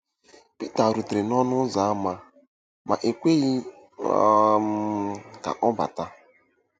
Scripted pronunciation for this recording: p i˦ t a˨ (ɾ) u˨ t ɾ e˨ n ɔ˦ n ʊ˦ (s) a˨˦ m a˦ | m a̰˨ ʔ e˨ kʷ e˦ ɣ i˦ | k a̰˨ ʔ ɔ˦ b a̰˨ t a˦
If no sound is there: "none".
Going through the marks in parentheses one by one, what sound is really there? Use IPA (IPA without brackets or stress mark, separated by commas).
ɾ, z